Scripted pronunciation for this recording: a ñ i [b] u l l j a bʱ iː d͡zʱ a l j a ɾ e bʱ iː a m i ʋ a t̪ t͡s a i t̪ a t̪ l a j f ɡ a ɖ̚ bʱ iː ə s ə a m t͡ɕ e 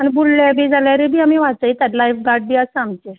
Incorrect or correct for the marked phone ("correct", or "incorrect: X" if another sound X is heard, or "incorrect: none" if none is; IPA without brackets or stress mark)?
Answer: correct